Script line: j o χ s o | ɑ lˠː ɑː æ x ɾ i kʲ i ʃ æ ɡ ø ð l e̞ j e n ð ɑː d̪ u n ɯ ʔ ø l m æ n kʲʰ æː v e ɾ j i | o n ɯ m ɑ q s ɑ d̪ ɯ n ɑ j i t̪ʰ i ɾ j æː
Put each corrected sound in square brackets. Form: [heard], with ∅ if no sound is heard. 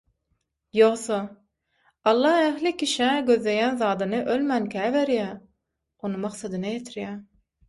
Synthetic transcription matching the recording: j o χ s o | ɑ lˠː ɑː æ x [l] i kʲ i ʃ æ ɡ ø ð l e̞ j [æ] n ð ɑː d̪ [ɯ] n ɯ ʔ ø l m æ n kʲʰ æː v e ɾ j [æ] | o n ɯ m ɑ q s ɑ d̪ ɯ n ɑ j [e] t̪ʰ i ɾ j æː